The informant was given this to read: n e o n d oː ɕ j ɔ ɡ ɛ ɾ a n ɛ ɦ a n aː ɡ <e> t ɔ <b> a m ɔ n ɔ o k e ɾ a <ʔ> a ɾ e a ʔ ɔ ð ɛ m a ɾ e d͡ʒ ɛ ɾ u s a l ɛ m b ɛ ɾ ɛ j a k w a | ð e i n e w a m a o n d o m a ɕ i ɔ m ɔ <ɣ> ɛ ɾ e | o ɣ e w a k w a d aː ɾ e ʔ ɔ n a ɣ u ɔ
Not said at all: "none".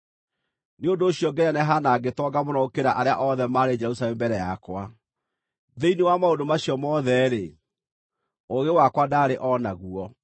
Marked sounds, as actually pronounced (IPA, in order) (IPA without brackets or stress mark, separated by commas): e, ɡ, ʔ, ð